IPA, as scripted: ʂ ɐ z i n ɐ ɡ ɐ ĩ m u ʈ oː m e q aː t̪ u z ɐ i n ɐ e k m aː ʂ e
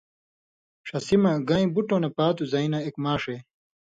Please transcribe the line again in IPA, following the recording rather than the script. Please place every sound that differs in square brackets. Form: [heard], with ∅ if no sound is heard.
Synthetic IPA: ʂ ɐ [s] i [m] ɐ ɡ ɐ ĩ [b] u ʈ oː [n] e [p] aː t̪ u z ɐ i n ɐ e k m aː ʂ e

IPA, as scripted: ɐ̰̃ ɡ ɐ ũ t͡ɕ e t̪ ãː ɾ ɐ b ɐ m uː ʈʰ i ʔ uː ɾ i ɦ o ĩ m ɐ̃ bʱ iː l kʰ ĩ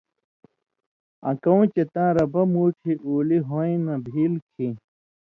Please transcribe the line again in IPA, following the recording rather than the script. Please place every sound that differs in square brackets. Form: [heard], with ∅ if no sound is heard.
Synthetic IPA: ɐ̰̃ [k] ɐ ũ t͡ɕ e t̪ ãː ɾ ɐ b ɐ m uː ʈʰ i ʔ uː [l] i ɦ o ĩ [n] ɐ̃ bʱ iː l kʰ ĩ

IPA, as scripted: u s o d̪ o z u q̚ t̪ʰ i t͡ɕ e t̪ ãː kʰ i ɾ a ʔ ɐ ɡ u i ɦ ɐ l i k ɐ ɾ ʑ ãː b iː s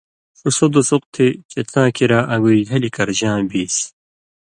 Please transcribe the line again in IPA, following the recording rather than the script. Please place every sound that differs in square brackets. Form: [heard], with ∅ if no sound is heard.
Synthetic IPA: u s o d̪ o [s] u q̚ t̪ʰ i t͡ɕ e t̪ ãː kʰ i ɾ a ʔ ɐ ɡ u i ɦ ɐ l i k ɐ ɾ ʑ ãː b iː s

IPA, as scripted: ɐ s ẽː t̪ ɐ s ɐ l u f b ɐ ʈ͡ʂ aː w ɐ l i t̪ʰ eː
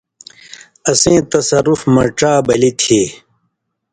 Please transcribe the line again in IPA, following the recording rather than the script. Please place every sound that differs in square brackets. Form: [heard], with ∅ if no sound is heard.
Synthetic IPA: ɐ s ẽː t̪ ɐ s ɐ [ɾ] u f [m] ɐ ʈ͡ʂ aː [b] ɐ l i t̪ʰ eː

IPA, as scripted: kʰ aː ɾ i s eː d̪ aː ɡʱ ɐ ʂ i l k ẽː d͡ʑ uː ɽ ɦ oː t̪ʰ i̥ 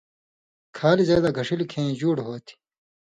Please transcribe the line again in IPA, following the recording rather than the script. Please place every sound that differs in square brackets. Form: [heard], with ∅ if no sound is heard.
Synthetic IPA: kʰ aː [l] i [z] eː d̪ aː ɡʱ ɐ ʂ i l [kʰ] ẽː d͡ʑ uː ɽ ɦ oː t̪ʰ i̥

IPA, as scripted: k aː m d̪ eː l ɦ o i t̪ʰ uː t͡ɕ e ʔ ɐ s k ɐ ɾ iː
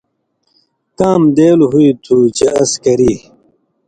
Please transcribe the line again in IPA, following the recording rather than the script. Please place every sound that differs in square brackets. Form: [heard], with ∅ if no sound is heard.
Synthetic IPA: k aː m d̪ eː l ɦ [u] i t̪ʰ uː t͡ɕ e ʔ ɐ s k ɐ ɾ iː

